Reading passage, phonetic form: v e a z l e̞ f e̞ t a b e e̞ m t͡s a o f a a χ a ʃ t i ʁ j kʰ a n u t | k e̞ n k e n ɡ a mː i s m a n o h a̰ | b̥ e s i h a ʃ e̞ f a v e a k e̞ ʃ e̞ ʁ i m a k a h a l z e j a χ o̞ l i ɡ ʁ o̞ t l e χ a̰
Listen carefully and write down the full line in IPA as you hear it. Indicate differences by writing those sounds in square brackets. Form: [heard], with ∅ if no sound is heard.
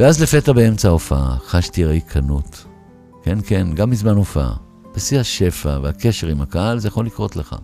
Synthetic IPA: v e a z l e̞ f e̞ t a b e e̞ m t͡s a o f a a χ a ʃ t i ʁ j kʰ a n u t | k e̞ n k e n ɡ a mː i [z] m a n o [f] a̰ | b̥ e s i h a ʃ e̞ f a v e a k e̞ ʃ e̞ ʁ i m a k a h a l z e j a χ o̞ l i [k] ʁ o̞ t l e χ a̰